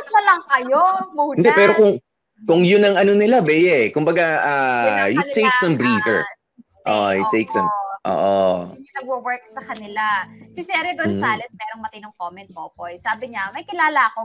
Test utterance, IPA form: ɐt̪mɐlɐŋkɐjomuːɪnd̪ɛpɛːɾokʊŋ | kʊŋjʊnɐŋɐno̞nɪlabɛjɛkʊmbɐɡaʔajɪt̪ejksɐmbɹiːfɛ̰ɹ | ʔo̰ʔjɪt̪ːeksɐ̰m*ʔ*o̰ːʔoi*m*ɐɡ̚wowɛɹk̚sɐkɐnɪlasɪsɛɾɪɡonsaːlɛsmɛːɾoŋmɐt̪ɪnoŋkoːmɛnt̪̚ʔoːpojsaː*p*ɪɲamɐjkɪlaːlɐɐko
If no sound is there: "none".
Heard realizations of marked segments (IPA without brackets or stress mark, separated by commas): ʔ, n, b